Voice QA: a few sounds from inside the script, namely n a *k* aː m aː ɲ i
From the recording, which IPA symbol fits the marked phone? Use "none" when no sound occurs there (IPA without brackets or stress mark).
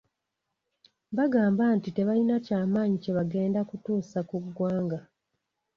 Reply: c